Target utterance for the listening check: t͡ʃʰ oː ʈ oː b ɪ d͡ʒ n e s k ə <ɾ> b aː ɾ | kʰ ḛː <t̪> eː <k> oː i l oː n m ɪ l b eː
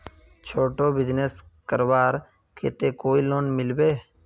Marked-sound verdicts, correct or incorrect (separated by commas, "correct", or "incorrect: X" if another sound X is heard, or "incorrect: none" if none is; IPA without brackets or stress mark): correct, correct, correct